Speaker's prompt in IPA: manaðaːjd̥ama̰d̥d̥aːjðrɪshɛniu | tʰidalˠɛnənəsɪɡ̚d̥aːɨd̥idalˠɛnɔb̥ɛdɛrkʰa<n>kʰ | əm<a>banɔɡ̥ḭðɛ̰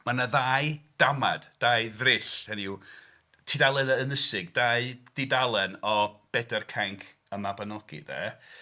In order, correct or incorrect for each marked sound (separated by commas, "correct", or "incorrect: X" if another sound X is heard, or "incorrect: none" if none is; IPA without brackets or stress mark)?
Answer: incorrect: ŋ, correct